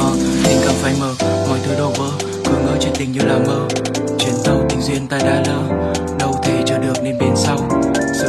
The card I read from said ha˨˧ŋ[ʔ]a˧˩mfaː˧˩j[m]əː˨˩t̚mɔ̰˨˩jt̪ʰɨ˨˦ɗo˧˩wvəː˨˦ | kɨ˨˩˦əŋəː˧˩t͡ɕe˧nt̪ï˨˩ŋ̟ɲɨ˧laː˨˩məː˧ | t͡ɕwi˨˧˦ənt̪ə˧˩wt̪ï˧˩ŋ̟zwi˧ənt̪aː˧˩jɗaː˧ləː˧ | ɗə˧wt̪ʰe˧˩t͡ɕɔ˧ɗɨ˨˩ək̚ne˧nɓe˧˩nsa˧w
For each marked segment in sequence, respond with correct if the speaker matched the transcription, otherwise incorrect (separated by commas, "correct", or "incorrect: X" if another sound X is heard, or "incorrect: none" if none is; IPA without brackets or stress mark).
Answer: incorrect: k, correct